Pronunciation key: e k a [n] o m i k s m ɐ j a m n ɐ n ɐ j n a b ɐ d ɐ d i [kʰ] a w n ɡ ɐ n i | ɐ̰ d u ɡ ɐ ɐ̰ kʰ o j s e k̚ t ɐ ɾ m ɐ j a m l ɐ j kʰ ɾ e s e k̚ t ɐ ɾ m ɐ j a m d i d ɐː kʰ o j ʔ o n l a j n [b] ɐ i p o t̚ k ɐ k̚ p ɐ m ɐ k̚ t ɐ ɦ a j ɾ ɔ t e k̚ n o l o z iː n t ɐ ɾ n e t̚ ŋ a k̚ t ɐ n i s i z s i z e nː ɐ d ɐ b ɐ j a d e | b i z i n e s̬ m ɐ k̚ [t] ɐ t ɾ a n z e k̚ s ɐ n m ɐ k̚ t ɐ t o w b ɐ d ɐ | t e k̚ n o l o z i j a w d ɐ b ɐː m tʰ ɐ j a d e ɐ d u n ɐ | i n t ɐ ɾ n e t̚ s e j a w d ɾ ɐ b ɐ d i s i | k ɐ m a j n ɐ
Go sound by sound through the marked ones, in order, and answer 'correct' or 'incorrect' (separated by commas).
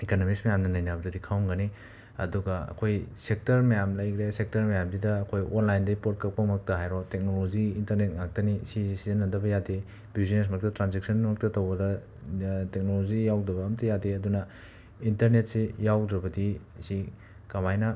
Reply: correct, correct, incorrect, correct